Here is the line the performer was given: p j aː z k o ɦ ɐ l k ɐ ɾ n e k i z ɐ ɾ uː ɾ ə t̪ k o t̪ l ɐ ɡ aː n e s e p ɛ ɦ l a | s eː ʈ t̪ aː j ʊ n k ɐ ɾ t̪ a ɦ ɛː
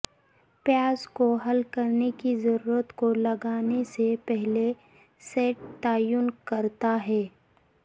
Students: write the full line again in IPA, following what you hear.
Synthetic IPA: p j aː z k o ɦ ɐ l k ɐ ɾ n e k i z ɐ ɾ uː ɾ ə t̪ k o l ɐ ɡ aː n e s e p ɛ ɦ l e | s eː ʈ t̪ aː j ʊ n k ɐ ɾ t̪ a ɦ ɛː